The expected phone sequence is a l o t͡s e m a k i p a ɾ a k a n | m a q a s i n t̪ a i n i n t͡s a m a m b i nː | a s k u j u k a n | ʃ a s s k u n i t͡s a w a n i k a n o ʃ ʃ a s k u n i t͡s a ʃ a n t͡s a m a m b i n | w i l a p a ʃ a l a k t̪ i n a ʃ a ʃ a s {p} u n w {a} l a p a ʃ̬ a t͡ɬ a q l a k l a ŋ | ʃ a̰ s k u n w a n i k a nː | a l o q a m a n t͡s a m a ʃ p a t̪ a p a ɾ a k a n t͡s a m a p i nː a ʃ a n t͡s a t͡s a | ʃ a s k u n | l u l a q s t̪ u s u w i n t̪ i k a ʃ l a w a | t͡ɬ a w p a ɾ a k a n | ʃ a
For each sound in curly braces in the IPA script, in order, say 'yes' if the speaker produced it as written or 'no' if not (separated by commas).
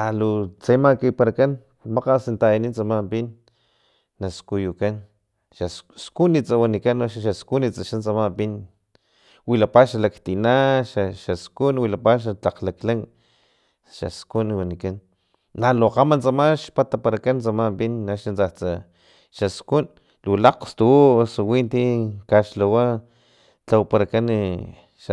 no, no